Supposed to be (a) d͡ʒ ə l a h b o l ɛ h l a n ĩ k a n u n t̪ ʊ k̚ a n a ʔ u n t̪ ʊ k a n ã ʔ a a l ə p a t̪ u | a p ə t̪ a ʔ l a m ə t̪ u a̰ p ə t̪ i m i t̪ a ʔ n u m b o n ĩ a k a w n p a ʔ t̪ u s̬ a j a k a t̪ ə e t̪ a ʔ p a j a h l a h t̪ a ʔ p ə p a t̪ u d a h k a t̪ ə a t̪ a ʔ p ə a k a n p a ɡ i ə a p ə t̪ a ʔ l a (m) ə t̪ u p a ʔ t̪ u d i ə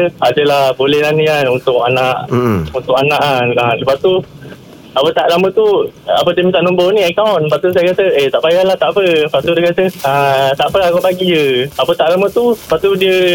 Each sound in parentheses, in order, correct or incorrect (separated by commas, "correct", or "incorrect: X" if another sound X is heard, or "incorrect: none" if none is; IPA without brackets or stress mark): correct, correct